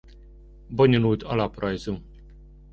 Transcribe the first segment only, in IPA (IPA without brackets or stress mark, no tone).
b